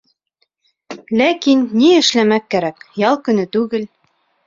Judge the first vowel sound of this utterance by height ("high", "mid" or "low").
low